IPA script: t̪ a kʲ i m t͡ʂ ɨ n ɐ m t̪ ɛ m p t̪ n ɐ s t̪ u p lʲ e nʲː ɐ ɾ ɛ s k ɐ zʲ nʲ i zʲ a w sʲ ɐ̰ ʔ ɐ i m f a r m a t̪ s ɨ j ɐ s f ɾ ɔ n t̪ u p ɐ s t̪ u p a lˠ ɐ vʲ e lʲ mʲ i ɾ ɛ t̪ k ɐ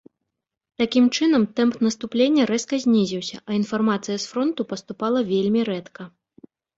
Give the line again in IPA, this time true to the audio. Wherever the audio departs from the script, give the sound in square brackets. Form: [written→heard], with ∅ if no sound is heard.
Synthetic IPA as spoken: t̪ a kʲ i m t͡ʂ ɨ n ɐ m t̪ ɛ m p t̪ n ɐ s t̪ u p lʲ e nʲː ɐ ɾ ɛ s k ɐ zʲ nʲ i zʲ [a→i] w sʲ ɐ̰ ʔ ɐ i [m→n] f a r m a t̪ s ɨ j ɐ s f ɾ ɔ n t̪ u p ɐ s t̪ u p a lˠ ɐ vʲ e lʲ mʲ i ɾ ɛ t̪ k ɐ